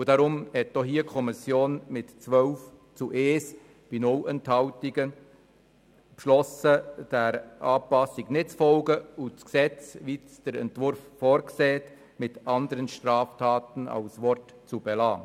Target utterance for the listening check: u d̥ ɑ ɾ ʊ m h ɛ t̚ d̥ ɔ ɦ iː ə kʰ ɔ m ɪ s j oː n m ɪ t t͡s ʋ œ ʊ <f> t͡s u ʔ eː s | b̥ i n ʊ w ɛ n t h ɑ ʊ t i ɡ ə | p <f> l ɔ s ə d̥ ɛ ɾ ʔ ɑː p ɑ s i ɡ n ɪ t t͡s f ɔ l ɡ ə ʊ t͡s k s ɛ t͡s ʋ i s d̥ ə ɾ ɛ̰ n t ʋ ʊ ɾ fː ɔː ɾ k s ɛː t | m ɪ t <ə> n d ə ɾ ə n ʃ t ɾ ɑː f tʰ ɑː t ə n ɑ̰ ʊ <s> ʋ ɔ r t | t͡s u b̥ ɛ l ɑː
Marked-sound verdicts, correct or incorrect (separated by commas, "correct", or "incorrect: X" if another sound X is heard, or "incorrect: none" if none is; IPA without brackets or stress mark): correct, incorrect: ʃ, incorrect: ɑ, correct